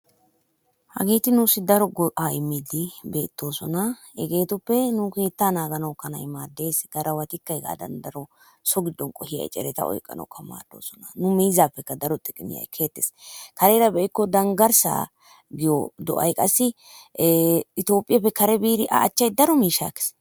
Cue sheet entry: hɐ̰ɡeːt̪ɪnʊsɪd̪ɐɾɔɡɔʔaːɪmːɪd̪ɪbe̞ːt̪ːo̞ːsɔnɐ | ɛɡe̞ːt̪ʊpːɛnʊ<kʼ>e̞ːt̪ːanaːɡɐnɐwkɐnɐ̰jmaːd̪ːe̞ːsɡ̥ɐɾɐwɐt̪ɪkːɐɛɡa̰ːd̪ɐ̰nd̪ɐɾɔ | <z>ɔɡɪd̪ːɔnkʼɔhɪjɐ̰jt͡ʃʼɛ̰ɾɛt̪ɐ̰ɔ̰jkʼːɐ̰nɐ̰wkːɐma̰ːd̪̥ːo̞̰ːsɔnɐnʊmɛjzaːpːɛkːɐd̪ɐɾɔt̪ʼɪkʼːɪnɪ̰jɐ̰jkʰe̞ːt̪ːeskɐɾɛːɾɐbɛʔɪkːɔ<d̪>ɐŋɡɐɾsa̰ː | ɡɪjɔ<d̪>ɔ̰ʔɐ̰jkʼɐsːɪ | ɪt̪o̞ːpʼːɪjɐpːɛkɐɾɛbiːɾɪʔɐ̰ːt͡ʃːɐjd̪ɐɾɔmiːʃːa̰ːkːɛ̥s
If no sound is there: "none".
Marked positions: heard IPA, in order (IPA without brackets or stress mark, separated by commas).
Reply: k, s, d̪, d̪